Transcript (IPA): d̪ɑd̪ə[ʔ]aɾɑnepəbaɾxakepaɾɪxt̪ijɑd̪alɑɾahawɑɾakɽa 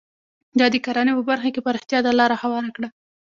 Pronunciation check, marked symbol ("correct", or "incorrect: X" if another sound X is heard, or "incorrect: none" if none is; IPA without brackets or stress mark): incorrect: k